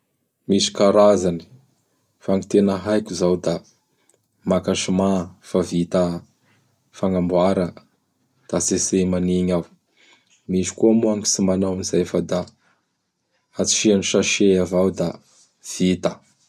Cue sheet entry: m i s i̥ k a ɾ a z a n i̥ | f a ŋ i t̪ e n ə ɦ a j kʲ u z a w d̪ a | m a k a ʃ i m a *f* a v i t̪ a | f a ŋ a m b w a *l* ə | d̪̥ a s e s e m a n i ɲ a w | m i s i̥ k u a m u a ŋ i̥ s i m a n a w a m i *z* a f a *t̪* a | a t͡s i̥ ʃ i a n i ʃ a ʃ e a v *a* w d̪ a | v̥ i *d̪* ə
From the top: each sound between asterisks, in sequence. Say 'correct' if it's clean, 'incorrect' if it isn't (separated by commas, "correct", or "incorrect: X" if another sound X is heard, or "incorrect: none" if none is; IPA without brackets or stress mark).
correct, incorrect: ɾ, correct, incorrect: d̪, correct, incorrect: t̪